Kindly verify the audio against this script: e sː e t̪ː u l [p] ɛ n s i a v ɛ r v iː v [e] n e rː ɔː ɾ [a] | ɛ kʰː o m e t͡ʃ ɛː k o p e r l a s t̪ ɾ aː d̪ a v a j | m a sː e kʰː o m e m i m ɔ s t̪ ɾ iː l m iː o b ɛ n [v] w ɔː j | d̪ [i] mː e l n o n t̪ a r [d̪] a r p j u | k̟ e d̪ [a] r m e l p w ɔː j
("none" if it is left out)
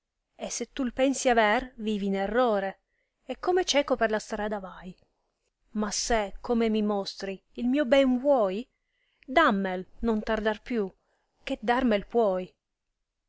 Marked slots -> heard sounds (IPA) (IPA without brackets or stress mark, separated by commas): p, i, e, v, a, d̪, a